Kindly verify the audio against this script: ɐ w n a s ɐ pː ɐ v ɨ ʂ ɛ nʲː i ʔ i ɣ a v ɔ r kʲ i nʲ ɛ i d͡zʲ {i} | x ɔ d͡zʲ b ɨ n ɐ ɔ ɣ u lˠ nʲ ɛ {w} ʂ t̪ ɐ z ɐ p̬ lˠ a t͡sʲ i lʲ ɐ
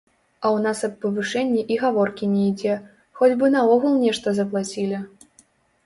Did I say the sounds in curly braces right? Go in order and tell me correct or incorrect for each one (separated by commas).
incorrect, incorrect